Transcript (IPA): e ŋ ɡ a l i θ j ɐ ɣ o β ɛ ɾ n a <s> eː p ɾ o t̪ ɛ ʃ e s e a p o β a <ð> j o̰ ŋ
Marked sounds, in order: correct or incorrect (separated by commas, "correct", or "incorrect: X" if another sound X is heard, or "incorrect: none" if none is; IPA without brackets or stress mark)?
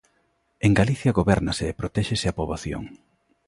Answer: correct, incorrect: θ